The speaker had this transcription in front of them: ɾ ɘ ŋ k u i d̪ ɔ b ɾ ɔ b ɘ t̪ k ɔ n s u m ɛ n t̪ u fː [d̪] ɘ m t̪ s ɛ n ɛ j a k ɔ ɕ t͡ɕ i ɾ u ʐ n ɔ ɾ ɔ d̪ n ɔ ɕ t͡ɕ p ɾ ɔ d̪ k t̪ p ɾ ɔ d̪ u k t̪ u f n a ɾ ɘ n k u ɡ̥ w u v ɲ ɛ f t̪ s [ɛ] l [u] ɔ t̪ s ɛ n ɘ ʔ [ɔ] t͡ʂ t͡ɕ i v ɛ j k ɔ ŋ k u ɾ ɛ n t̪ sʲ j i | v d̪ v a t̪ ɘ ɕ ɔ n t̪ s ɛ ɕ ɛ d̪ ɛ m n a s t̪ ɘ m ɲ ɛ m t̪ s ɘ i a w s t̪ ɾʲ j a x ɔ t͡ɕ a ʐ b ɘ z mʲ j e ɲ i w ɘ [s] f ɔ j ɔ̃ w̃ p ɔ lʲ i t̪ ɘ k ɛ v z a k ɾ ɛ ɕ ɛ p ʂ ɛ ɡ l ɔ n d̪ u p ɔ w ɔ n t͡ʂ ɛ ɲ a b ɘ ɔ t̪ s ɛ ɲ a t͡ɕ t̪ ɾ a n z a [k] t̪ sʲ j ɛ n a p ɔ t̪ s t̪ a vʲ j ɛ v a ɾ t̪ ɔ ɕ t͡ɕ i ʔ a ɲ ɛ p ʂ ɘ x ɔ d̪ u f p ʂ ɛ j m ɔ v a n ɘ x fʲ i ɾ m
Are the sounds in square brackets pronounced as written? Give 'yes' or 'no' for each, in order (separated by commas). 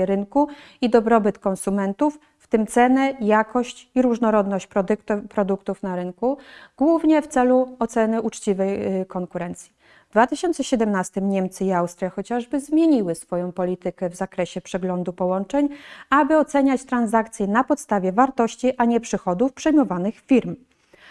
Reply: no, yes, yes, no, yes, yes